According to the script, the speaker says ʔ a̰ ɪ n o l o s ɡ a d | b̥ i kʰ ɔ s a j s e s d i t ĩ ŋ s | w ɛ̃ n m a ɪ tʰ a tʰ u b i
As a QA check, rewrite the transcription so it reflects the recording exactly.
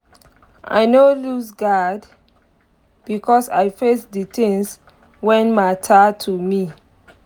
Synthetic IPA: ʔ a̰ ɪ n o l u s ɡ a d | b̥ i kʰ ɔ s a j f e s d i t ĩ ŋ s | w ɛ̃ n m a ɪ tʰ a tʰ u m i